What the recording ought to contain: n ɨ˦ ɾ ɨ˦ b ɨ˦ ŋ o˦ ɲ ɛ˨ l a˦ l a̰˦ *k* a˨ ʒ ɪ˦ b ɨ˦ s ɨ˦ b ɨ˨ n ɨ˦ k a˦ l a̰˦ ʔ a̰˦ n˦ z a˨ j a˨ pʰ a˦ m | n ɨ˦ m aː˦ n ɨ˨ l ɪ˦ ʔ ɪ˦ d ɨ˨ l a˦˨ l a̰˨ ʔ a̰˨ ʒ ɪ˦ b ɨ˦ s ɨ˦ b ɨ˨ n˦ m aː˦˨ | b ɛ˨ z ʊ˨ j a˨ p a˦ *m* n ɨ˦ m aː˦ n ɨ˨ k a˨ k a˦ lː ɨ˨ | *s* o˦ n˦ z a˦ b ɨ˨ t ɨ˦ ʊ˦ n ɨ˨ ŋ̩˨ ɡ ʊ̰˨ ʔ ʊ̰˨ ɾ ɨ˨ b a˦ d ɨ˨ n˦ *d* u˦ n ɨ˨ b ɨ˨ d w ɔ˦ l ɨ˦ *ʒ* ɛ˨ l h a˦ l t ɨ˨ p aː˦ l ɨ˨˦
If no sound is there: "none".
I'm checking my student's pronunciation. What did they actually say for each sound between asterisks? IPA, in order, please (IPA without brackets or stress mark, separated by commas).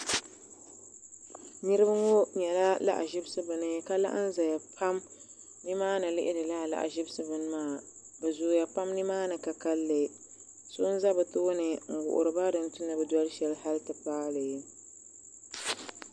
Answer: ʔ, m, s, t, ʃ